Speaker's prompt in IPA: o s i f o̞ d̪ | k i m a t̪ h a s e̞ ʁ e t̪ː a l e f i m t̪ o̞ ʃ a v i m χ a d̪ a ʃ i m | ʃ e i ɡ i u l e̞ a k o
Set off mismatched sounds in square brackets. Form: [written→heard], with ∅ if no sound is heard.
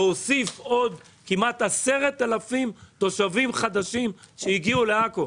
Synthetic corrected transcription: o s i f o̞ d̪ | k i m a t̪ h a s e̞ ʁ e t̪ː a l [e→a] f i m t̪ o̞ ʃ a v i m χ a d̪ a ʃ i m | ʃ e i ɡ i u l e̞ a k o